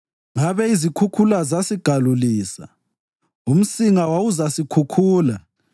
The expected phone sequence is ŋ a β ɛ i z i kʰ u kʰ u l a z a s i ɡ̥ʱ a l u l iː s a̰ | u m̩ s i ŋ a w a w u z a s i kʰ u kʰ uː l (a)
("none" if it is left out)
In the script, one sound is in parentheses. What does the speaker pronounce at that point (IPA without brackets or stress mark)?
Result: a